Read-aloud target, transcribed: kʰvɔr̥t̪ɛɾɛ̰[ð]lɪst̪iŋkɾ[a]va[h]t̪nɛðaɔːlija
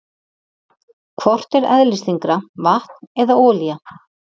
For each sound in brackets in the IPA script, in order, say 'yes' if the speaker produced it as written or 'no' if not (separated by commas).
yes, yes, yes